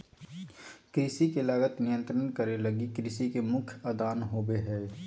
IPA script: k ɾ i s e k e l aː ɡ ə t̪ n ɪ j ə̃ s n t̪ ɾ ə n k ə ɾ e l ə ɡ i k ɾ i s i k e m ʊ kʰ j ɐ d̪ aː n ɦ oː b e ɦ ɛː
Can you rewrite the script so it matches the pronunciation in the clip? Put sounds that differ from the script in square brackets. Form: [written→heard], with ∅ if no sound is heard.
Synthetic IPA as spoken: k ɾ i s [e→i] k e l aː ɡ ə t̪ n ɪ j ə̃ [s→∅] n t̪ ɾ ə n k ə ɾ e l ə ɡ i k ɾ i s i k e m ʊ kʰ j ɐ d̪ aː n ɦ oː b e ɦ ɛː